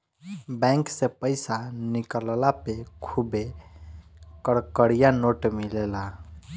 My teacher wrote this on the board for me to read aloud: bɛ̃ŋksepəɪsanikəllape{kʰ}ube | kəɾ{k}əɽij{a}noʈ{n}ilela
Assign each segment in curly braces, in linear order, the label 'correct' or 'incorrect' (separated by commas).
correct, correct, correct, incorrect